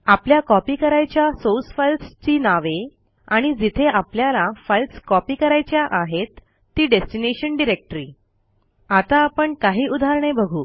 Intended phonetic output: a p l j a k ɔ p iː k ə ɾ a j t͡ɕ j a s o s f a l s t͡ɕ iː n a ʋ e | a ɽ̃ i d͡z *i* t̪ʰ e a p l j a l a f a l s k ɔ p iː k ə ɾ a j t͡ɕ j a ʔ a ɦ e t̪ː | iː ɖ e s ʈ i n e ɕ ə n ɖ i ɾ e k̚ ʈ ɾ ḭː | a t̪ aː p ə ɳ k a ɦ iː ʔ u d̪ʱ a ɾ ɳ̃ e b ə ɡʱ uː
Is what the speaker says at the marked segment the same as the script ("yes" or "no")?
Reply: yes